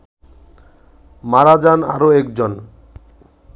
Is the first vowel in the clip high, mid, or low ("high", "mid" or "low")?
low